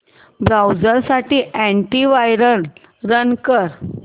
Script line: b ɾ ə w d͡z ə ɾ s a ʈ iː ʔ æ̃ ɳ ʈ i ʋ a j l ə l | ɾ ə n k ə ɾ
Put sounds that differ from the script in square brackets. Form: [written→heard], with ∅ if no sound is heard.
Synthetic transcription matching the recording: b ɾ [ə→a] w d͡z ə ɾ s a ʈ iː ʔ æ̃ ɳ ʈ i ʋ a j [l→ɾ] ə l | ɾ ə n k ə ɾ